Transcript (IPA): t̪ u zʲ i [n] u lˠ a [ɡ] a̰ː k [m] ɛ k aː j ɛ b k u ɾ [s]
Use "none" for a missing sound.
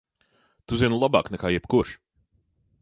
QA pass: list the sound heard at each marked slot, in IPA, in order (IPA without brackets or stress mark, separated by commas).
n, b, n, ʃ